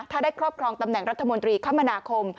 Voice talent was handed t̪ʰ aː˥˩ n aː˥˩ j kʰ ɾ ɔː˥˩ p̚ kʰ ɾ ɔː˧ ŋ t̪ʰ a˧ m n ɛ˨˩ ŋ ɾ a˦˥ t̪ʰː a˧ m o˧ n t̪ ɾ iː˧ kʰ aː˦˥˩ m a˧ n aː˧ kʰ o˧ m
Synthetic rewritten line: t̪ʰ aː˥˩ d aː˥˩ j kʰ ɾ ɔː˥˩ p̚ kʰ ɾ ɔː˧ ŋ t̪ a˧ m n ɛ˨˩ ŋ ɾ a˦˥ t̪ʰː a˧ m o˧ n t̪ ɾ iː˧ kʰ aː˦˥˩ m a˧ n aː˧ kʰ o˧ m

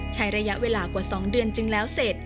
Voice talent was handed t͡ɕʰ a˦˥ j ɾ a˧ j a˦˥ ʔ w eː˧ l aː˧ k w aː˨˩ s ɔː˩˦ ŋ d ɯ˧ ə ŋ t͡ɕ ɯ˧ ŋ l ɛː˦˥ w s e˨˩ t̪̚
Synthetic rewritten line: t͡ɕʰ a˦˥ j ɾ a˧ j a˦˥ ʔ w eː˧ l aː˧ k w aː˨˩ s ɔː˩˦ ŋ d ɯ˧ ə n t͡ɕ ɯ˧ ŋ l ɛː˦˥ w s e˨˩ t̪̚

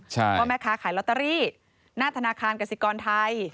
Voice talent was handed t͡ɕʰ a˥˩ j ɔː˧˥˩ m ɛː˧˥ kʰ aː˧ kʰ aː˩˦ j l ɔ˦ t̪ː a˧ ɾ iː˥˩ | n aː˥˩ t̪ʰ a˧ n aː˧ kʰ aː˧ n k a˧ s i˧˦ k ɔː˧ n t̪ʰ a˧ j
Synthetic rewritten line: t͡ɕʰ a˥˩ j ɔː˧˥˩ m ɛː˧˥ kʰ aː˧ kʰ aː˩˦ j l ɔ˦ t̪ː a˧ ɾ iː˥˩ | n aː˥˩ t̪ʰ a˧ n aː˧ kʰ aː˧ n k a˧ s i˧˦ k ɔː˧ n t̪ʰ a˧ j

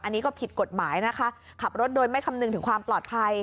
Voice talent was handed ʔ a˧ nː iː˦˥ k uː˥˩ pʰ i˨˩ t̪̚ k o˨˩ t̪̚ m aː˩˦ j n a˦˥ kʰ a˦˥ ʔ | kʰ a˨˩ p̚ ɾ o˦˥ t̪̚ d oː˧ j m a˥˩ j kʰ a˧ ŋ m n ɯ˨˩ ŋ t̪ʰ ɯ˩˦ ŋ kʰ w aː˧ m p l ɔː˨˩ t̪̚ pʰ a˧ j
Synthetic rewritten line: ʔ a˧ nː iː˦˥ k ɔː˥˩ pʰ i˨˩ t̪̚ k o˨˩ t̪̚ m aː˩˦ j n a˦˥ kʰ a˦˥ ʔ | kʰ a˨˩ p̚ ɾ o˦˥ t̪̚ d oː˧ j m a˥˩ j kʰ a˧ m n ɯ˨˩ ŋ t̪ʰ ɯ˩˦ ŋ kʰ w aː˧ m p l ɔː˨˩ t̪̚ pʰ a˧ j

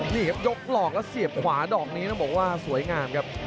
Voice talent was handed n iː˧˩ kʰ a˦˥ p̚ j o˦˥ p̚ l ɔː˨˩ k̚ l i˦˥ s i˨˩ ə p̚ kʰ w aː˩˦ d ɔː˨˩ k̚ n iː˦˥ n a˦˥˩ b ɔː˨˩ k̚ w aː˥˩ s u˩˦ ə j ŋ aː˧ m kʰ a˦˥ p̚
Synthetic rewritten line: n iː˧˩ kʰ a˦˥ p̚ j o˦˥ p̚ l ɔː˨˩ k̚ l ɛ˦˥ s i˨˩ ə p̚ kʰ w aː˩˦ d ɔː˨˩ k̚ n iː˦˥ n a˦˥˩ b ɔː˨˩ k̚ w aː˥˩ s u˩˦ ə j ŋ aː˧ m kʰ a˦˥ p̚

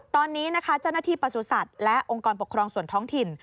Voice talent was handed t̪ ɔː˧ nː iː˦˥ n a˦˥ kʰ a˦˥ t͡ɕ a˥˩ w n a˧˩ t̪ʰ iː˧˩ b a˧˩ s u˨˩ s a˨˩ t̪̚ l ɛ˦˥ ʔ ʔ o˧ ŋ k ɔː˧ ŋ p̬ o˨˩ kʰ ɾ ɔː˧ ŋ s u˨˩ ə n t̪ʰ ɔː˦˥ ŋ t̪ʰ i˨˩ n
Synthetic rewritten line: t̪ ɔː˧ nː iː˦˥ n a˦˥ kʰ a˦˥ t͡ɕ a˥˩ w n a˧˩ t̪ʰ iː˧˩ p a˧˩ s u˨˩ s a˨˩ t̪̚ l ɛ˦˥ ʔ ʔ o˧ ŋ k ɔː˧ n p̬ o˨˩ kʰ ɾ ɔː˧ ŋ s u˨˩ ə n t̪ʰ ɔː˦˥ ŋ t̪ʰ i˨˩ n

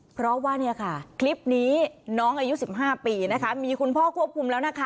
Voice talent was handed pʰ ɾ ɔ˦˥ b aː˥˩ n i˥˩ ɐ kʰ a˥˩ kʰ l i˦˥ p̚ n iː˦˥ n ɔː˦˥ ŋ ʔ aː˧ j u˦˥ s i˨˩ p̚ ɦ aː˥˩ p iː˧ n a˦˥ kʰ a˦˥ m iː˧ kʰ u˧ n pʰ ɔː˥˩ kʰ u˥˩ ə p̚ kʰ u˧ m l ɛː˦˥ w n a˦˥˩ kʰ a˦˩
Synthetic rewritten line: pʰ ɾ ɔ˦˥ w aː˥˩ n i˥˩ ɐ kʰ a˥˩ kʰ l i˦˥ p̚ n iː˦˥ n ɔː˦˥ ŋ ʔ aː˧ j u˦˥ s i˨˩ p̚ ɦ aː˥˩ p iː˧ n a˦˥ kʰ a˦˥ m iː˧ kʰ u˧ n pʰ ɔː˥˩ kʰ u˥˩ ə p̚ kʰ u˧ m l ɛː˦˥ w n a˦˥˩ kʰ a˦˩

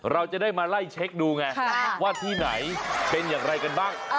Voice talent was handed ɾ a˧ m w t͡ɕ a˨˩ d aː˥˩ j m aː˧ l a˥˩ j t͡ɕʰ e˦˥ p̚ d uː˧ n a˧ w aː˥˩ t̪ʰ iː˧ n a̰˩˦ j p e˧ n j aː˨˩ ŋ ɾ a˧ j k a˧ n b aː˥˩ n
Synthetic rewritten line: ɾ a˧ w t͡ɕ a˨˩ d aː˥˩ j m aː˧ l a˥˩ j t͡ɕʰ e˦˥ k̚ d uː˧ ŋ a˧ w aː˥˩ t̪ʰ iː˥˩ n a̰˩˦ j p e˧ n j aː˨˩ ŋ ɾ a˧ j k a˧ n b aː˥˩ ŋ

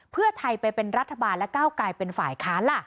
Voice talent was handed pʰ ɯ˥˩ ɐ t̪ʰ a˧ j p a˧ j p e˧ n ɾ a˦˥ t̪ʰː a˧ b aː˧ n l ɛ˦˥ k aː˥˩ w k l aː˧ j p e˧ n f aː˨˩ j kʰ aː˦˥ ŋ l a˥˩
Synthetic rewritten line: pʰ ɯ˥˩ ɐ t̪ʰ a˧ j p a˧ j p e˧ n ɾ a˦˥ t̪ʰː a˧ b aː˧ n l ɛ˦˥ k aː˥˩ w k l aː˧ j p e˧ n f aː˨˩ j kʰ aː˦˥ n l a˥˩

